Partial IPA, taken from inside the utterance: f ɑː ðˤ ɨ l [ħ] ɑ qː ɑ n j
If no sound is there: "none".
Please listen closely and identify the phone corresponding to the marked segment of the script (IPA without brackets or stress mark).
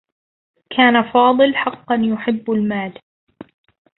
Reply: ħ